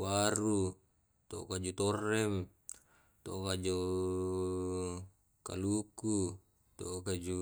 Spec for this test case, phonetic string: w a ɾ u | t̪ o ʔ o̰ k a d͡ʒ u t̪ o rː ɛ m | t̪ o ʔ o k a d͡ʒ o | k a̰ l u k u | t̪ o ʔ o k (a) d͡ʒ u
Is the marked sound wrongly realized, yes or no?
no